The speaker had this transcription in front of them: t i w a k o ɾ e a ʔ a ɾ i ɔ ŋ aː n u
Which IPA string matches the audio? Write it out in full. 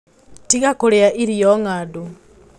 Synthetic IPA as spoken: t i ɣ a k o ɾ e a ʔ i ɾ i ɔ ŋ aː d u